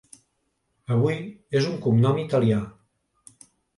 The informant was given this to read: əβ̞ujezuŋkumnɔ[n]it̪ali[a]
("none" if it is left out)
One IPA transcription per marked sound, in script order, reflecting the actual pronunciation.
m, a

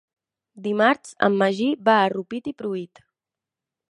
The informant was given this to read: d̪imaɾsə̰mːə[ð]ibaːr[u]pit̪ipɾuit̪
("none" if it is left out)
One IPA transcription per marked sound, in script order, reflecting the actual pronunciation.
ʒ, u

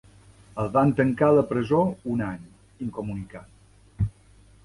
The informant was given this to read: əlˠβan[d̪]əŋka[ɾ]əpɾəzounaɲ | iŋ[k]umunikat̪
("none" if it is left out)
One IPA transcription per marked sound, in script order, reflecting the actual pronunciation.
t̪, l, k

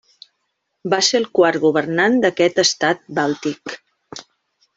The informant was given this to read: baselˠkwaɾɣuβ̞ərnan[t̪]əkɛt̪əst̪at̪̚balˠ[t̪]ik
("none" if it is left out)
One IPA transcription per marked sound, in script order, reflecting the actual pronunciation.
d̪, t̪

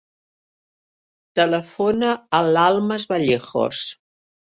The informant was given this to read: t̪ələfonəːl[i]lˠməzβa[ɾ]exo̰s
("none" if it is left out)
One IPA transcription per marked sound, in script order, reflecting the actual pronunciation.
a, ʎ

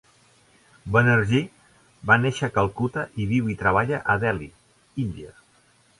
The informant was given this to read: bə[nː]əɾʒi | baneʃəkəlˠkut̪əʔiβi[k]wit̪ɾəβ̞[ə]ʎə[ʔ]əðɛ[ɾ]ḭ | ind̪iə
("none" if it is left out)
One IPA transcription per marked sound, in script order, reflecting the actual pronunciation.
n, none, a, ʔ, l

